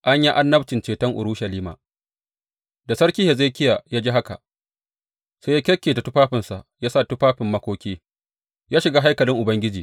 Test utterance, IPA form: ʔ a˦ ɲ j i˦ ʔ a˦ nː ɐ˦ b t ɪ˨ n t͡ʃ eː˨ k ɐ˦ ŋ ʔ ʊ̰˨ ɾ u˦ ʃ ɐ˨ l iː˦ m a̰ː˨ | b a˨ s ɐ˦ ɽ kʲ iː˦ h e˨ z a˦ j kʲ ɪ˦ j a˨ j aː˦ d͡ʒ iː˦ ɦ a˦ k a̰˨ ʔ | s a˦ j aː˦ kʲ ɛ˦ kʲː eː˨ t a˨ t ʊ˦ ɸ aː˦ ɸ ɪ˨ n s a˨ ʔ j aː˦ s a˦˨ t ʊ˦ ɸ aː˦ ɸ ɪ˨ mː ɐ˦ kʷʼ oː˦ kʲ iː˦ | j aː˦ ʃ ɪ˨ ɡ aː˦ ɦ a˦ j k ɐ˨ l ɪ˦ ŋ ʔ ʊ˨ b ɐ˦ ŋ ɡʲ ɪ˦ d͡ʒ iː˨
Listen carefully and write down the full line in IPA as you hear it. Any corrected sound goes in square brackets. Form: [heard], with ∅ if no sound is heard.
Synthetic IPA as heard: ʔ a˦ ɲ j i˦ ʔ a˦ nː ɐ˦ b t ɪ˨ n t͡ʃ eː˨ [t] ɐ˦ ŋ ʔ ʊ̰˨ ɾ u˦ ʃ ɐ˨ l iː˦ m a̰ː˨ | [d] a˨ s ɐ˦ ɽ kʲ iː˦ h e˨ z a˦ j kʲ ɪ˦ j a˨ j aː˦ d͡ʒ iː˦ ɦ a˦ k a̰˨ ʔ | s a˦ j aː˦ kʲ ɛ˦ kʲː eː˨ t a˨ t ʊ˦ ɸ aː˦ ɸ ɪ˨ n s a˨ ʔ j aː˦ s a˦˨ t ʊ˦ ɸ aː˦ ɸ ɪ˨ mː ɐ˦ [kʷ] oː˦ kʲ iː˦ | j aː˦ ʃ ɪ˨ ɡ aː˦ ɦ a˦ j k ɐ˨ l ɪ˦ ŋ ʔ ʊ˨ b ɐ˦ ŋ ɡʲ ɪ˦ d͡ʒ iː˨